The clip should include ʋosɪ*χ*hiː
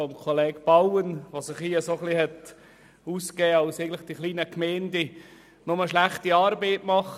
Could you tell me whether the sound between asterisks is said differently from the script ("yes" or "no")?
no